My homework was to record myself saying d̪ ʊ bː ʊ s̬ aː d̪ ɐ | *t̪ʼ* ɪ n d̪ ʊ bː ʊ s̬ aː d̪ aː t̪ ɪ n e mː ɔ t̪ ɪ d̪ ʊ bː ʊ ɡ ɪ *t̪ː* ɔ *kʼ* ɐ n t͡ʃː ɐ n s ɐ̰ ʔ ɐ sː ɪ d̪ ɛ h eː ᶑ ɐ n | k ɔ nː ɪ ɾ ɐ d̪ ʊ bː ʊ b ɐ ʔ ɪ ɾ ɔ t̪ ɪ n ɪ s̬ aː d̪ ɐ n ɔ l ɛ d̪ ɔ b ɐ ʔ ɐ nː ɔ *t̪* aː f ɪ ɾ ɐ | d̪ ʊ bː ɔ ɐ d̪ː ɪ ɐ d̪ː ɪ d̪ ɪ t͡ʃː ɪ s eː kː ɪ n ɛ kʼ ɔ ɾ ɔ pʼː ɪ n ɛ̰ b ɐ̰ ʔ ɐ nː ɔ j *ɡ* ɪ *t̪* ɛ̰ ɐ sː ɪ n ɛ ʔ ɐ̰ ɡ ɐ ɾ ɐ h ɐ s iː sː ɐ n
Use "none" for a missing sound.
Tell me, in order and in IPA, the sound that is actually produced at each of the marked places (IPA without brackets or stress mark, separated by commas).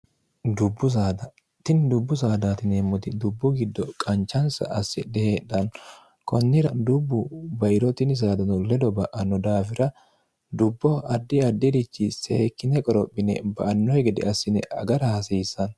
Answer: t̪, d̪ː, kʼ, d̪, ɡ, d̪